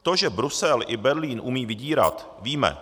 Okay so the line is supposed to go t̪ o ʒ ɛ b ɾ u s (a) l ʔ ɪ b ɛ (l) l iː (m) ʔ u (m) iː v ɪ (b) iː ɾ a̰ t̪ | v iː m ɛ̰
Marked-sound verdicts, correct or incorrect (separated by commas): incorrect, incorrect, incorrect, correct, incorrect